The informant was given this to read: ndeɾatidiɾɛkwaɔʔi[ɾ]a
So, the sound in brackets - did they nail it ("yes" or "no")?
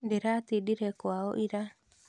yes